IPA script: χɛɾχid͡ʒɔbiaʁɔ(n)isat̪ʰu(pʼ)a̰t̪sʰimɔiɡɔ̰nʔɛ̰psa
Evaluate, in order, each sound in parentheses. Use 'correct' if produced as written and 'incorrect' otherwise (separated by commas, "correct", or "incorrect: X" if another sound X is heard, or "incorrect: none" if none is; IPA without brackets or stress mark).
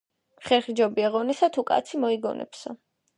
correct, incorrect: kʼ